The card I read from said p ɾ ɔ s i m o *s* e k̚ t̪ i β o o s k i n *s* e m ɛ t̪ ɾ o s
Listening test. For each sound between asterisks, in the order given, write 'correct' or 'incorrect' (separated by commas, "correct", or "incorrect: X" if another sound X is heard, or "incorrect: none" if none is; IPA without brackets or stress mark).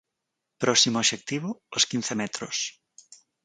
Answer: incorrect: ʃ, incorrect: θ